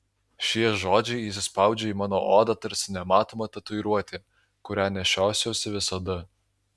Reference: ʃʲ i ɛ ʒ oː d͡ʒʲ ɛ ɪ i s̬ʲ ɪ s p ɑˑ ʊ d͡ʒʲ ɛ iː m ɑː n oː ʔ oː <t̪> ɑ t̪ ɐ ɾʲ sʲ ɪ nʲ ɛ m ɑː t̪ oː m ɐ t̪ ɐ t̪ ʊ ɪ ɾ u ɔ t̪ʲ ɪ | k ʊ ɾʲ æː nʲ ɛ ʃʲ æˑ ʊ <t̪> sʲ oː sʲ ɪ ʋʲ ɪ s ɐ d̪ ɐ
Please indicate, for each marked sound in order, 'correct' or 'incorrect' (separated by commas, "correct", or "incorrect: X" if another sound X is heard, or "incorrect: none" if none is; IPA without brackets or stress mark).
incorrect: d̪, incorrect: none